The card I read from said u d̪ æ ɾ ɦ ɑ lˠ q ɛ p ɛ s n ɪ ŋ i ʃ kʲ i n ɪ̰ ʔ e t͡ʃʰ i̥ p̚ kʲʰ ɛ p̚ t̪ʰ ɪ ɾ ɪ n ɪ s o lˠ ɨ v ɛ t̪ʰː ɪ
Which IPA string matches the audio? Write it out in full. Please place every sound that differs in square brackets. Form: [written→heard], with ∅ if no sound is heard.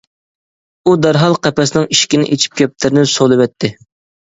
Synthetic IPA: u d̪ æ ɾ ɦ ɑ lˠ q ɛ p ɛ s n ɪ ŋ i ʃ kʲ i n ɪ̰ ʔ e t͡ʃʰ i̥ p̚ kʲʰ ɛ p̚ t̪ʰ ɪ ɾ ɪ n ɪ s o lˠ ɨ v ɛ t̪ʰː ɪ